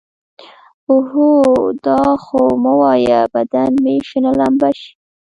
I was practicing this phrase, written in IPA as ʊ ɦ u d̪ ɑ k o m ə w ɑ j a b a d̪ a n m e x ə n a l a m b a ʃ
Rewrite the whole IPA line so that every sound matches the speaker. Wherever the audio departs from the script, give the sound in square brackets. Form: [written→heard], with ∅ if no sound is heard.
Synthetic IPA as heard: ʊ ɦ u d̪ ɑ [k→x] o m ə w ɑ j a b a d̪ a n m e [x→ʃ] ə n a l a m b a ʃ

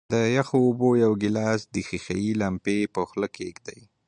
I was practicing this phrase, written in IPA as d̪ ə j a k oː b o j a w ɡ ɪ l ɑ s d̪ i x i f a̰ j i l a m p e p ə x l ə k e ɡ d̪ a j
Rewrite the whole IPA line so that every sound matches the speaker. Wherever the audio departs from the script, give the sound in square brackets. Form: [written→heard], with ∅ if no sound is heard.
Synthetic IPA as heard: d̪ ə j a [k→x] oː b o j a w ɡ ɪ l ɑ s d̪ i x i [f→x] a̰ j i l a m p e p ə x l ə k e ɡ d̪ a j

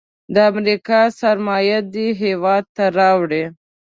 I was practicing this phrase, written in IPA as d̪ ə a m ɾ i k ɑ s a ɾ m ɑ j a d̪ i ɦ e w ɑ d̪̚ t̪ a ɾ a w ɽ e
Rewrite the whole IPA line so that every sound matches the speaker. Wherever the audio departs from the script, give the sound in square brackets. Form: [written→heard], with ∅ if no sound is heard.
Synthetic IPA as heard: d̪ ə a m ɾ i k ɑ s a ɾ m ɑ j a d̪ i ɦ e w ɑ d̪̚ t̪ a ɾ [a→ɑ] w ɽ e

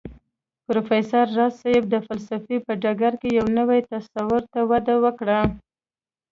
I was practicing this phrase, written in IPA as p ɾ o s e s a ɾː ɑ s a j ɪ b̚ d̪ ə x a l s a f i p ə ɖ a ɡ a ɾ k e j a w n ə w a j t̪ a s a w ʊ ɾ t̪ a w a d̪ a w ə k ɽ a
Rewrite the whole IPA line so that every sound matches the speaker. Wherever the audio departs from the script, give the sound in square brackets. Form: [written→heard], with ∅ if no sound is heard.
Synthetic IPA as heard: p ɾ o [s→f] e s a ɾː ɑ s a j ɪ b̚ d̪ ə [x→f] a l s a f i p ə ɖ a ɡ a ɾ k e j a w n ə w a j t̪ a s a w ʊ ɾ t̪ a w a d̪ a w ə k ɽ a

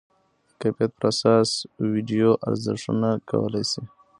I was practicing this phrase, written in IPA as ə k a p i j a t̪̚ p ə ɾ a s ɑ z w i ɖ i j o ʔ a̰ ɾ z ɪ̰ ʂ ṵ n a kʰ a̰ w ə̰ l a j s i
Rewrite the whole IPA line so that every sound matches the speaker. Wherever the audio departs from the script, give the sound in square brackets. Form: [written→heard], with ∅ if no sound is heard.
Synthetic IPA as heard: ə k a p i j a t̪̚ p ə ɾ a s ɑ [z→s] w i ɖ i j o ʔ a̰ ɾ z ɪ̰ ʂ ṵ n a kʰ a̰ w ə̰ l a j s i

